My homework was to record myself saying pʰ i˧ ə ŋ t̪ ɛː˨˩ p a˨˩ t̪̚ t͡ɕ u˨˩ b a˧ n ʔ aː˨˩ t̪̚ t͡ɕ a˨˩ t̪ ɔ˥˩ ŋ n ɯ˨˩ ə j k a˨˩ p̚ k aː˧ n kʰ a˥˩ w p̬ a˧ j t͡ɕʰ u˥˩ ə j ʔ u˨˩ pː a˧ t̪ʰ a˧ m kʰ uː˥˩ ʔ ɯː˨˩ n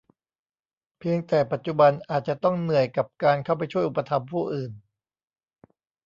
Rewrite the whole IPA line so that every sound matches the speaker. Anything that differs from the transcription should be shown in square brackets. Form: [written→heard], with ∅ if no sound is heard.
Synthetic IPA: pʰ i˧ ə ŋ t̪ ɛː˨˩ p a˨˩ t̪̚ t͡ɕ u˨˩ b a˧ n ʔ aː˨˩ t̪̚ t͡ɕ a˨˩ t̪ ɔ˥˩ ŋ n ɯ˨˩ ə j k a˨˩ p̚ k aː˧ n kʰ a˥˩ w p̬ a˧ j t͡ɕʰ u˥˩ ə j ʔ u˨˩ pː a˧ t̪ʰ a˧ m [kʰ→pʰ] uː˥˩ ʔ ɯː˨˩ n